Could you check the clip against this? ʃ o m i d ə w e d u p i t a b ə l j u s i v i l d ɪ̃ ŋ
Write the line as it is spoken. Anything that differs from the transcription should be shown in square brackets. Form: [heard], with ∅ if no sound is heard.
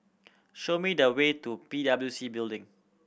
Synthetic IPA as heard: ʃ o m i d ə w e [t] u p i [d] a b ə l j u s i [b] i l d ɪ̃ ŋ